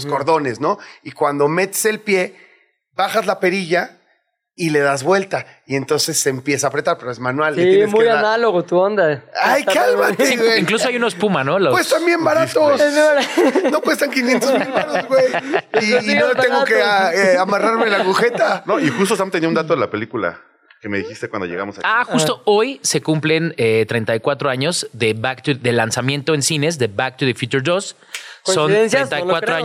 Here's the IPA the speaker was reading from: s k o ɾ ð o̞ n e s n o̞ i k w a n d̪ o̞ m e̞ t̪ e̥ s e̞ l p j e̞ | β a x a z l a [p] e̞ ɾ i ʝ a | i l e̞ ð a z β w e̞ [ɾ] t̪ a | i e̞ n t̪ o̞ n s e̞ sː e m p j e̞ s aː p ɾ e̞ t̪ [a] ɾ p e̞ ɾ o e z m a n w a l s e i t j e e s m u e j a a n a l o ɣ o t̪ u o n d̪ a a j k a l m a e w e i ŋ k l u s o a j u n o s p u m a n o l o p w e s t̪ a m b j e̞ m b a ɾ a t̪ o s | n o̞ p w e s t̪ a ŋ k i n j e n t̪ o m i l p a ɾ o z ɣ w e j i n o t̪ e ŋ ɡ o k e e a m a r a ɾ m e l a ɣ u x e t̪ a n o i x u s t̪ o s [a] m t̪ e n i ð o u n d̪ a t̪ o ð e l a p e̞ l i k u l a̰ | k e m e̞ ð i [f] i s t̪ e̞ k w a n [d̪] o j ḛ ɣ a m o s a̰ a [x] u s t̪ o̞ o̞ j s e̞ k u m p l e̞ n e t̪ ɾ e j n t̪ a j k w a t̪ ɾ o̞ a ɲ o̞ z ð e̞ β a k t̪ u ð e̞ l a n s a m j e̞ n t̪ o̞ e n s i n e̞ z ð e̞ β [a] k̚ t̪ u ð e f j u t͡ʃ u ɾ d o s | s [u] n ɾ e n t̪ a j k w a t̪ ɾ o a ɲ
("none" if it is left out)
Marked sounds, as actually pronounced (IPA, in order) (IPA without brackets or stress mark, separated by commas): p, l, a, a, x, d̪, x, a, o